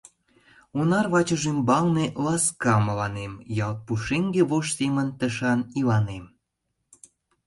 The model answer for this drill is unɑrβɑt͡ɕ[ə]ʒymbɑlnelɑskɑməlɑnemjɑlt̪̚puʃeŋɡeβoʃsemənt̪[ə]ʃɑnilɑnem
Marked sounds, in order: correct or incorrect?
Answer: correct, correct

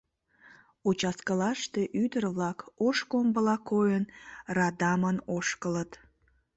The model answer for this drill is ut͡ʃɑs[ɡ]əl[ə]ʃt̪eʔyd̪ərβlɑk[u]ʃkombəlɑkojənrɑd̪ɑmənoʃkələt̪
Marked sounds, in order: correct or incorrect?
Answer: incorrect: k, incorrect: ɑ, incorrect: o

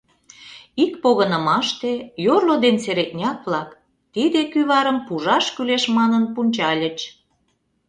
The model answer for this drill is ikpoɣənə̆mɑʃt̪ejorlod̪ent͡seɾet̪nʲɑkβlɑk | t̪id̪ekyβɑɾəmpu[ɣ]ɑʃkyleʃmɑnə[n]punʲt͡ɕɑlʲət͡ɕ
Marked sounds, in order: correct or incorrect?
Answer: incorrect: ʒ, correct

